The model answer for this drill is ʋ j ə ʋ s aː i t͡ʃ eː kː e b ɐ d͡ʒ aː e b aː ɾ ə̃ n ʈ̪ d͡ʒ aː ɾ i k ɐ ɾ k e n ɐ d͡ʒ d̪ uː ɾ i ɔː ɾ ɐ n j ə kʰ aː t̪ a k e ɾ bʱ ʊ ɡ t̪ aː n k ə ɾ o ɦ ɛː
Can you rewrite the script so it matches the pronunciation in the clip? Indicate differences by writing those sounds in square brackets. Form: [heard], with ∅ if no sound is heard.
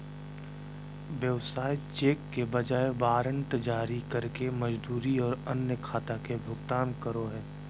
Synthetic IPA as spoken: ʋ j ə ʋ s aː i t͡ʃ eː kː e b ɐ d͡ʒ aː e b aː ɾ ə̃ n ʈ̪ d͡ʒ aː ɾ i k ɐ ɾ k e [m] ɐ d͡ʒ d̪ uː ɾ i ɔː ɾ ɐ n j ə kʰ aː t̪ a k e [∅] bʱ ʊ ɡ t̪ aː n k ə ɾ o ɦ ɛː